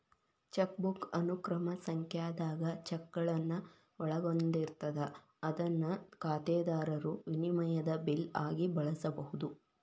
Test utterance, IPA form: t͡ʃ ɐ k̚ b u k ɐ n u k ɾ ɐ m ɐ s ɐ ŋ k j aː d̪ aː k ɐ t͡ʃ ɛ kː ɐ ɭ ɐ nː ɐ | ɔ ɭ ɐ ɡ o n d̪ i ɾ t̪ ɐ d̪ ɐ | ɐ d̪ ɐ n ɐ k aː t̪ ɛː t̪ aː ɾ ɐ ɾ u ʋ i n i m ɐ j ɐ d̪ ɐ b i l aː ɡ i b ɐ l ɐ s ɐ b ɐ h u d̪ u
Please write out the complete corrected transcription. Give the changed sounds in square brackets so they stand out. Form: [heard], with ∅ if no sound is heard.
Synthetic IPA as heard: t͡ʃ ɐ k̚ b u k ɐ n u k ɾ ɐ m ɐ s ɐ ŋ k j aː d̪ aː [ɡ] ɐ t͡ʃ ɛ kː ɐ ɭ ɐ nː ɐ | ɔ ɭ ɐ ɡ o n d̪ i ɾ t̪ ɐ d̪ ɐ | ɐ d̪ ɐ [nː] ɐ k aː t̪ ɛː [d̪] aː ɾ ɐ ɾ u ʋ i n i m ɐ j ɐ d̪ ɐ b i l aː ɡ i b ɐ [ɭ] ɐ s ɐ b ɐ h u d̪ u